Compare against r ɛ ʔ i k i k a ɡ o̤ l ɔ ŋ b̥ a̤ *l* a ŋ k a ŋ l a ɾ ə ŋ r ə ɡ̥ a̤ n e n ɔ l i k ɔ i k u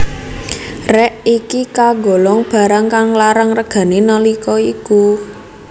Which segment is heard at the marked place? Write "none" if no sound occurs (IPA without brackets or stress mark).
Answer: ɾ